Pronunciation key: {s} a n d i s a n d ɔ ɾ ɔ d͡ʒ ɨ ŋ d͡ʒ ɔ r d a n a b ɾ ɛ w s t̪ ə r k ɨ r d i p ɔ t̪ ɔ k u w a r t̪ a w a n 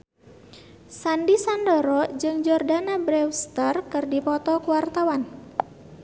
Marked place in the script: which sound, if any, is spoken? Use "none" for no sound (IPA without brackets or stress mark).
s